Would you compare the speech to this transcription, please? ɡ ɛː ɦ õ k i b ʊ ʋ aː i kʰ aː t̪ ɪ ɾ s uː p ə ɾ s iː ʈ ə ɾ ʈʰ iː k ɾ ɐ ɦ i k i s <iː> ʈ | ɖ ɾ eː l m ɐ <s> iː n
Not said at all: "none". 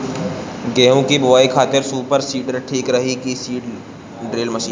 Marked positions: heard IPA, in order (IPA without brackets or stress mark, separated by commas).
iː, ʃ